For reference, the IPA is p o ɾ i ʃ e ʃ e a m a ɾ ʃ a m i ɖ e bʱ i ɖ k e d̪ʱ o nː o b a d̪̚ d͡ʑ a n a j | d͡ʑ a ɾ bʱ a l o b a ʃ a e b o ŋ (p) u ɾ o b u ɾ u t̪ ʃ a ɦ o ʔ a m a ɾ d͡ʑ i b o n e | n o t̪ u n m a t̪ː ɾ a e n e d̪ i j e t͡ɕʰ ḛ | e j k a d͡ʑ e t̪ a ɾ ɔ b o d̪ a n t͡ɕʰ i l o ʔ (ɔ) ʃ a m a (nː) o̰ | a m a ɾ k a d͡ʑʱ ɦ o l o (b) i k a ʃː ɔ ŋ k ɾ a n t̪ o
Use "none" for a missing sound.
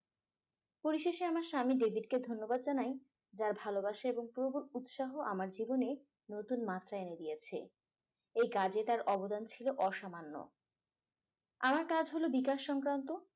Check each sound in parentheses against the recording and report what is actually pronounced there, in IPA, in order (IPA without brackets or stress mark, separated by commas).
p, ɔ, nː, b